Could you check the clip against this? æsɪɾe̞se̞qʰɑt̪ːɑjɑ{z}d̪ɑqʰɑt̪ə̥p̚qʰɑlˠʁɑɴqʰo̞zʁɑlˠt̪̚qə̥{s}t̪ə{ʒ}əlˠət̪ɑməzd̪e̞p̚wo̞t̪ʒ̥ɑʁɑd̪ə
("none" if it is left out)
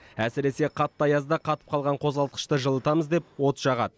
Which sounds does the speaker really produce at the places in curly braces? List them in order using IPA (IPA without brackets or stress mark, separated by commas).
z, ʃ, ʒ